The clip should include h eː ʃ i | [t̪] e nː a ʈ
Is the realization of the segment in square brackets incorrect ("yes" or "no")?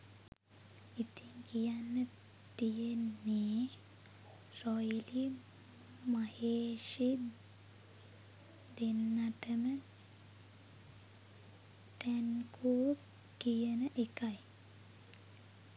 yes